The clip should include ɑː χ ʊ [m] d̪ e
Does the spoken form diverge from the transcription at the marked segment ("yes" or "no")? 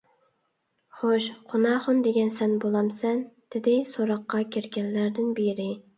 yes